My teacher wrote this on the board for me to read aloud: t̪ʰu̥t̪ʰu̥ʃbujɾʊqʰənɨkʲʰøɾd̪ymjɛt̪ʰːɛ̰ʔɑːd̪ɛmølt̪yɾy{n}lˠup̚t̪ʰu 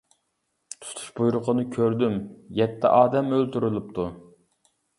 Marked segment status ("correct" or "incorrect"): incorrect